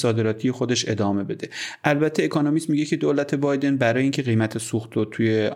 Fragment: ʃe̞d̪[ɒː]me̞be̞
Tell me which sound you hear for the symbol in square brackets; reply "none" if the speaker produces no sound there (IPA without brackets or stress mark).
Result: ɒː